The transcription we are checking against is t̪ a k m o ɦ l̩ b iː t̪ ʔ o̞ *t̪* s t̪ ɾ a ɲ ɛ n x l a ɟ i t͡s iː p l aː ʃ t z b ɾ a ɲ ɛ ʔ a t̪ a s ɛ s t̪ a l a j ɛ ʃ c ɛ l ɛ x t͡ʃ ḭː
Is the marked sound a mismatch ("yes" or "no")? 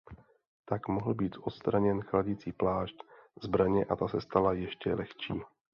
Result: no